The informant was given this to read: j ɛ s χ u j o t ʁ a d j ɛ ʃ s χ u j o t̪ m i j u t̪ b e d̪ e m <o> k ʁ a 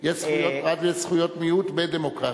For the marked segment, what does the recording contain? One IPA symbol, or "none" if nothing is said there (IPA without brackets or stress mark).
o